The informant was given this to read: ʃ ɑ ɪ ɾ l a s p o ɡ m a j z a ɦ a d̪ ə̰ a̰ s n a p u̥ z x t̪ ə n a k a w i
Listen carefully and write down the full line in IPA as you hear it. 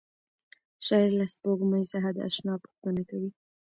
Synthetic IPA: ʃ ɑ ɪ ɾ l a s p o ɡ m a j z a ɦ a d̪ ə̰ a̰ ʃ n ɑ p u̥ x t̪ ə n a k a w i